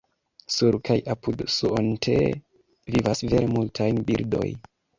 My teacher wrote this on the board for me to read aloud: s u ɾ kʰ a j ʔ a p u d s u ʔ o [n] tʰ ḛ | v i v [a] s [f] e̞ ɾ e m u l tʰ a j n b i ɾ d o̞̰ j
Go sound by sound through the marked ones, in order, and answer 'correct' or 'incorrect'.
correct, correct, incorrect: v

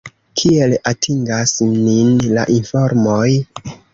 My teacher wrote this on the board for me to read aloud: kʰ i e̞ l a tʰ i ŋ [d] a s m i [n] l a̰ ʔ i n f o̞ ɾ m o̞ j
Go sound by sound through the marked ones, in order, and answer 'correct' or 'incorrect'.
incorrect: ɡ, correct

